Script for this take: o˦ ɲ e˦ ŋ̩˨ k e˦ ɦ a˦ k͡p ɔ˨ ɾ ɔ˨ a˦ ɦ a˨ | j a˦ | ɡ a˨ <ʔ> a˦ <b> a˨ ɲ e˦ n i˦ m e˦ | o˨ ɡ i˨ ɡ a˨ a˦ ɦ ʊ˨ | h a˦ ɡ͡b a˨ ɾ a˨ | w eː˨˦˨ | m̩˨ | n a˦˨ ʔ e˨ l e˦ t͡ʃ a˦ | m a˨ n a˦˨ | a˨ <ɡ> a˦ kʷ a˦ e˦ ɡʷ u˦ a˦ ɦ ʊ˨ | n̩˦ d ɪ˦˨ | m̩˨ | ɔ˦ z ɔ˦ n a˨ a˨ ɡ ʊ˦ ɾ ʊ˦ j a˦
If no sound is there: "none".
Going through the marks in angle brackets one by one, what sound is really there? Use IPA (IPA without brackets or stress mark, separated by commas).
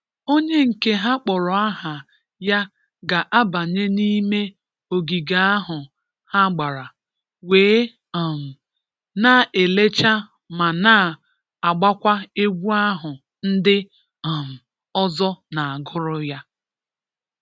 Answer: ʔ, b, ɡ͡b